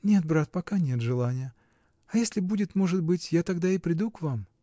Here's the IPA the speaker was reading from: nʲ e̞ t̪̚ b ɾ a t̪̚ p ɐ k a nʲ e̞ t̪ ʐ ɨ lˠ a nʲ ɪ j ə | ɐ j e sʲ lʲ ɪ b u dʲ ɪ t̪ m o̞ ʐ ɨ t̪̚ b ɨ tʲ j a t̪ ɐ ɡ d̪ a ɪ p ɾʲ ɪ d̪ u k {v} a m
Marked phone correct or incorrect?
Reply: correct